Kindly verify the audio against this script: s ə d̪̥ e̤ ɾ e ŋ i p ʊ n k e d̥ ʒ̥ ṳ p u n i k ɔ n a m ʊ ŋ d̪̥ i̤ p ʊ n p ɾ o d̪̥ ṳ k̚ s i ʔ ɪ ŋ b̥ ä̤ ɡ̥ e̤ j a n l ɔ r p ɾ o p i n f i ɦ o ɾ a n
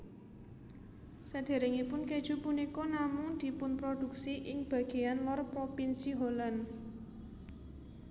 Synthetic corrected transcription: s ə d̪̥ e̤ ɾ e ŋ i p ʊ n k e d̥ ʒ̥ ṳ p u n i k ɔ n a m ʊ ŋ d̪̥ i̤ p ʊ n p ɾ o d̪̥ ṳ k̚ s i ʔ ɪ ŋ b̥ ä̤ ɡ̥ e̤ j a n l ɔ r p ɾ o p i n s i ɦ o l a n